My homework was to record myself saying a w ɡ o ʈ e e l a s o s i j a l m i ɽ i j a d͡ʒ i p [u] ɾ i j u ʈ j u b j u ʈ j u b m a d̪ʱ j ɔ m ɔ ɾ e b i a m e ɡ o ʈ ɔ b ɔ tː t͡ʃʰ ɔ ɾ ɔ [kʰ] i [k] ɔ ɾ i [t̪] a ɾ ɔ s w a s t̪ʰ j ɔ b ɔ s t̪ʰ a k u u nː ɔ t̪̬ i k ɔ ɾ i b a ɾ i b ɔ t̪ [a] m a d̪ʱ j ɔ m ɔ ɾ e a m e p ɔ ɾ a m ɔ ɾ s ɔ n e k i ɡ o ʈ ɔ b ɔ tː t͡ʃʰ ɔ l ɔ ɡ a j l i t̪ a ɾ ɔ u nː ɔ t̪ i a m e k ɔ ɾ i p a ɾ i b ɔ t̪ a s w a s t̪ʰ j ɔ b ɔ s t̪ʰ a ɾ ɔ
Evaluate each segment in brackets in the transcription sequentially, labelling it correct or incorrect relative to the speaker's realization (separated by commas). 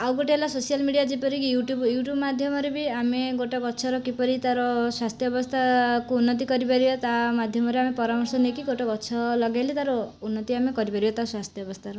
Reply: incorrect, incorrect, incorrect, correct, correct